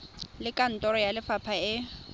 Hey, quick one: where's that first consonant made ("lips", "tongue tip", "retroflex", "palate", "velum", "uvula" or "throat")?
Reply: tongue tip